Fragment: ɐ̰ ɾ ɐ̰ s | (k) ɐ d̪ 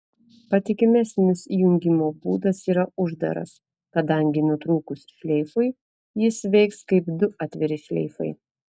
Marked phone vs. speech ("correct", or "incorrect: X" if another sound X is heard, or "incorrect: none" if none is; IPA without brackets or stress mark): correct